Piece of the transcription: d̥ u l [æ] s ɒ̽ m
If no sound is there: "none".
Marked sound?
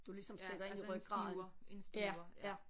i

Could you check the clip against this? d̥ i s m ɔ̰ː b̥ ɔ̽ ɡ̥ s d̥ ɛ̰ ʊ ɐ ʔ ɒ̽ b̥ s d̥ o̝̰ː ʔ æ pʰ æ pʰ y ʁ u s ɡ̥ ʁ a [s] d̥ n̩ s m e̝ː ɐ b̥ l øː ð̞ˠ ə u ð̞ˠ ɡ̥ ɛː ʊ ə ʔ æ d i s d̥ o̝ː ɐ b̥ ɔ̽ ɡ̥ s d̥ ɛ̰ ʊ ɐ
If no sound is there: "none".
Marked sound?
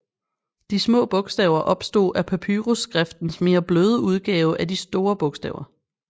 f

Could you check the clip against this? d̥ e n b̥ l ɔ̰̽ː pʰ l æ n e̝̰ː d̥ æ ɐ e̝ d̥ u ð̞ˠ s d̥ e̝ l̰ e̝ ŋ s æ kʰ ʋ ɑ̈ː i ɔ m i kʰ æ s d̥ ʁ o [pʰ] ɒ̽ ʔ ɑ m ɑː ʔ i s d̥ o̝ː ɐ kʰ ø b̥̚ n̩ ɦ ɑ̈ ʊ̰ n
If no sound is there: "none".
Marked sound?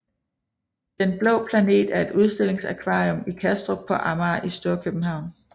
pʰ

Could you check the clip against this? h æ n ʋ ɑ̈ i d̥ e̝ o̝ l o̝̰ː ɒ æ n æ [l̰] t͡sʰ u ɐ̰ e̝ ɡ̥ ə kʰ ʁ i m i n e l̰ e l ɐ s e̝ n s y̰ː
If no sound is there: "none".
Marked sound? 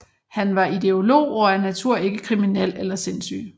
none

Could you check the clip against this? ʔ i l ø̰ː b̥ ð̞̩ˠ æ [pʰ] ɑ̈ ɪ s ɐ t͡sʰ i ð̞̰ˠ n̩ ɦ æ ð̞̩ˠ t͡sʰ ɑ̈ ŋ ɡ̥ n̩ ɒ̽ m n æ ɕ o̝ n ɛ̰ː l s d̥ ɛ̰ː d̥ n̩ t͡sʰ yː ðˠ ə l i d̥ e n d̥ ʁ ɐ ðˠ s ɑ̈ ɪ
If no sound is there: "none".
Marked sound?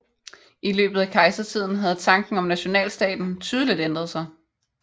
kʰ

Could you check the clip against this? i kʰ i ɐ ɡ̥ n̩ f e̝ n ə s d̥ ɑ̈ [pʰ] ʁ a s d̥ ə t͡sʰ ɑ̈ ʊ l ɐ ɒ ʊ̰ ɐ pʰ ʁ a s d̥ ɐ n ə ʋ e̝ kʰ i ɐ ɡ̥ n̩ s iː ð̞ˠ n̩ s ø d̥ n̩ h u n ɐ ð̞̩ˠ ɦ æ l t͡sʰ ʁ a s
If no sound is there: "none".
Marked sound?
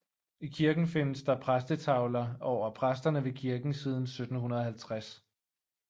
pʰ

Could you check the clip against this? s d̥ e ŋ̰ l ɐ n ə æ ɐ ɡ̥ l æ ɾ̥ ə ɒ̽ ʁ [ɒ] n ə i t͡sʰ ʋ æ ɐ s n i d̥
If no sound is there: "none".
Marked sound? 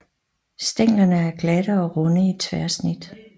ɔ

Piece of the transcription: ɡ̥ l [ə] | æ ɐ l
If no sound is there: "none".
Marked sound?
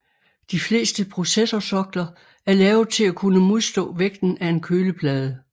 ɐ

